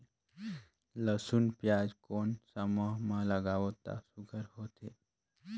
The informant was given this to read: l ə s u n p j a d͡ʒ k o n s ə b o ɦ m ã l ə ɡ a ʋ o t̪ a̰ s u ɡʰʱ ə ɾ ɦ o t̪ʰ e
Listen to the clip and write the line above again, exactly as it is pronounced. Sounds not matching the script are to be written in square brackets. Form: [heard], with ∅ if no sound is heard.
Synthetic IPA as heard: l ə s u n p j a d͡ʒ k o n s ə [m] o ɦ m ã l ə ɡ a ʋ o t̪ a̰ s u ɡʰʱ ə ɾ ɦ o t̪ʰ e

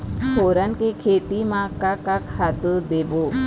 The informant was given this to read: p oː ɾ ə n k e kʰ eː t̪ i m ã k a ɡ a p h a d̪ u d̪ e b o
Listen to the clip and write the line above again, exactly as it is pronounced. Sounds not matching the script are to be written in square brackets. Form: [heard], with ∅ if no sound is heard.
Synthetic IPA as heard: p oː ɾ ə n k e kʰ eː t̪ i m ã k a [k] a [k] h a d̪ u d̪ e b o

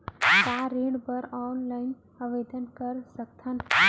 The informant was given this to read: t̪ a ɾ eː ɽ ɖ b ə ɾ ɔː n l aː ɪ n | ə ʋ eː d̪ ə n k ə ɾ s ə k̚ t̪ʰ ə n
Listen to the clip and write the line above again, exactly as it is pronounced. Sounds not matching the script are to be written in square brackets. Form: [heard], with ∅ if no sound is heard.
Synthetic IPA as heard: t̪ a ɾ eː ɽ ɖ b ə ɾ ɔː n l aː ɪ n | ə ʋ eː d̪ ə n k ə ɾ s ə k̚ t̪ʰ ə n

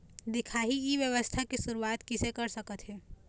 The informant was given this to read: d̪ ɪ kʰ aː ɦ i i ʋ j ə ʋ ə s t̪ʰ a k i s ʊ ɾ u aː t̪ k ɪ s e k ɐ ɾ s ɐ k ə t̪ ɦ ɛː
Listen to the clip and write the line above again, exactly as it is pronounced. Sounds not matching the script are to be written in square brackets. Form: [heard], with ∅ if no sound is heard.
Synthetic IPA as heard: d̪ ɪ kʰ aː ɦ i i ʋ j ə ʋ ə s t̪ʰ a k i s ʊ ɾ u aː t̪ k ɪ s e k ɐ ɾ s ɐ k ə t̪ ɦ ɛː

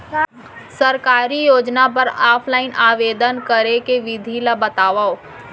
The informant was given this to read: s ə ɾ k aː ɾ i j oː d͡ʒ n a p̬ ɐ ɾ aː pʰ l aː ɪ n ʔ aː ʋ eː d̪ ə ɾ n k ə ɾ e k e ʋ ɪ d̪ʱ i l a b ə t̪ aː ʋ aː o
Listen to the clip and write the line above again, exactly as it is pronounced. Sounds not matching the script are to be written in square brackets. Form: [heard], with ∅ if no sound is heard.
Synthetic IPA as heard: s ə ɾ k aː ɾ i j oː d͡ʒ n a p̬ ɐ ɾ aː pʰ l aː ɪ n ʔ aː ʋ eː d̪ ə [∅] n k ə ɾ e k e ʋ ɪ d̪ʱ i l a b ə t̪ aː ʋ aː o

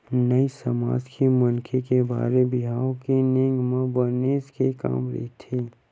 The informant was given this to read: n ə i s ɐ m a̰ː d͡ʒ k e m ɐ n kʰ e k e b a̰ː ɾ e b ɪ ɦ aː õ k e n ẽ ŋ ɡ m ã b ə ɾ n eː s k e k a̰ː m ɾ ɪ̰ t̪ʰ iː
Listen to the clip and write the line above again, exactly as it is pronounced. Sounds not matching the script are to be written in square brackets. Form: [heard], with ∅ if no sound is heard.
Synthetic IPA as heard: n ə i s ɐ m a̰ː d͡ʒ k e m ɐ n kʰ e k e b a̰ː ɾ e b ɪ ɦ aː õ k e n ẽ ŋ ɡ m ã b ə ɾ n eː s k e k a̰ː m ɾ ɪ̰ t̪ʰ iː

